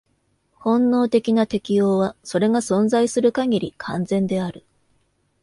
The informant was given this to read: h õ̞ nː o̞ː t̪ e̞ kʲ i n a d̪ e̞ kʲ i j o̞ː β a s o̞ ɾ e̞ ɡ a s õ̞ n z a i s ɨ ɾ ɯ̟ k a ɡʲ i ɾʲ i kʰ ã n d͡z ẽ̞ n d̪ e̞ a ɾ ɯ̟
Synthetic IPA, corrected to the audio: h õ̞ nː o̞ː t̪ e̞ kʲ i n a t̪ e̞ kʲ i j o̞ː β a s o̞ ɾ e̞ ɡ a s õ̞ n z a i s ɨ ɾ ɯ̟ k a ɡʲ i ɾʲ i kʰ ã n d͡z ẽ̞ n d̪ e̞ a ɾ ɯ̟